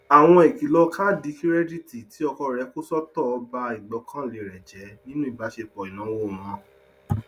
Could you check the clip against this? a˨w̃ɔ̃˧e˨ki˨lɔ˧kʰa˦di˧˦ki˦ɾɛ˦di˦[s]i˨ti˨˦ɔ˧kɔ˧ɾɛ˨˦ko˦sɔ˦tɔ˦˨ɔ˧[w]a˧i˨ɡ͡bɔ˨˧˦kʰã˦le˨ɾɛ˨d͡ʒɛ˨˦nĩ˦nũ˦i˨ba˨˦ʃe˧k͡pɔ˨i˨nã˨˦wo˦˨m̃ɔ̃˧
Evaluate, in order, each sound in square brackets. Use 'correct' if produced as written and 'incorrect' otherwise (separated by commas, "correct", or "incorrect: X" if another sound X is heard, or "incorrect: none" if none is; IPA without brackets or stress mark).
incorrect: t, incorrect: b